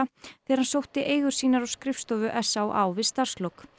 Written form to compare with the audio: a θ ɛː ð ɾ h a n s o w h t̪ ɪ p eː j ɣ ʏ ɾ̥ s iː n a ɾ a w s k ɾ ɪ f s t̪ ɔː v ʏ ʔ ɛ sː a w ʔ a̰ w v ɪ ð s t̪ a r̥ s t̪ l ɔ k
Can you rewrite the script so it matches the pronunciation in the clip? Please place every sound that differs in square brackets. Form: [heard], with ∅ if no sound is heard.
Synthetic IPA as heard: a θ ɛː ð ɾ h a n s o w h t̪ ɪ [ʔ] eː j ɣ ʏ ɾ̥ s iː n a ɾ a w s k ɾ ɪ f s t̪ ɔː v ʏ ʔ ɛ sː a w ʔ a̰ w v ɪ ð s t̪ a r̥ s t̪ l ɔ k